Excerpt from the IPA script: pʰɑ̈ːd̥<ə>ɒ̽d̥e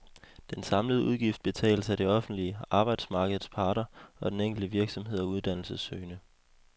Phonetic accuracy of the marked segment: incorrect: ɐ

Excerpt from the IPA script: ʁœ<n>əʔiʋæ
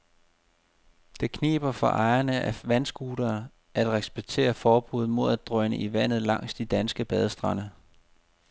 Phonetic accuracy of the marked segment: correct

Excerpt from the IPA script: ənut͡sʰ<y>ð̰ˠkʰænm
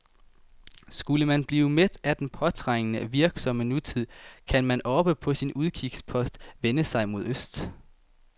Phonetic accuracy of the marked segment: incorrect: i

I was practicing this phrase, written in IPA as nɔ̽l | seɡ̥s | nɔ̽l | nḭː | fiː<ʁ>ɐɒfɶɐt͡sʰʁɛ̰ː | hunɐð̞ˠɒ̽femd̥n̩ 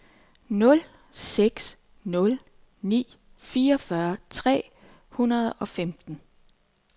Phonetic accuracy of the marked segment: incorrect: none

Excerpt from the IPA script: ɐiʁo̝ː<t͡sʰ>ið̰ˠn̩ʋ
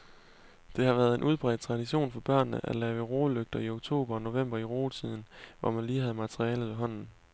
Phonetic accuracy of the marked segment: correct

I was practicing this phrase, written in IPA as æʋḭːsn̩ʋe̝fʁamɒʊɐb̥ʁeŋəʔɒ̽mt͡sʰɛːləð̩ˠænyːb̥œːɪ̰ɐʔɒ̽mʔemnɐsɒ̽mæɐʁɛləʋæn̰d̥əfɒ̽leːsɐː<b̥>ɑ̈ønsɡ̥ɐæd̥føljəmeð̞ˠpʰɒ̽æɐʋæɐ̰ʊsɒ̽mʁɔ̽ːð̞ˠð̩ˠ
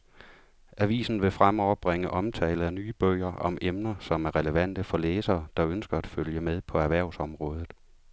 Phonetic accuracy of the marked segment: incorrect: d̥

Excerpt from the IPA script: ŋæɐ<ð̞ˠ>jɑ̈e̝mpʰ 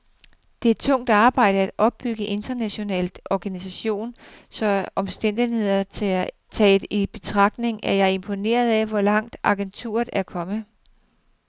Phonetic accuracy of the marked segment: incorrect: none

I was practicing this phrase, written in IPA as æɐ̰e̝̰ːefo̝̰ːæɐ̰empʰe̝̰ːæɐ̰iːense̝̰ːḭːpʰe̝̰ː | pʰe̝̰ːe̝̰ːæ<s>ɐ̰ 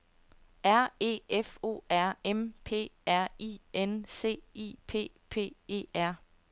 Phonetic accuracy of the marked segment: incorrect: none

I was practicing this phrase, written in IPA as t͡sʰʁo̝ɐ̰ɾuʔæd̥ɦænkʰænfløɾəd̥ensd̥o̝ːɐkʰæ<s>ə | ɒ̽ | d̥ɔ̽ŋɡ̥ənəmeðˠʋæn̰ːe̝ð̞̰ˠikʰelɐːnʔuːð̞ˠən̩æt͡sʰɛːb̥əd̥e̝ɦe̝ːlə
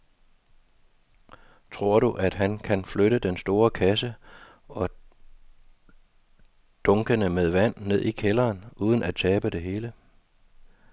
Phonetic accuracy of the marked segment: correct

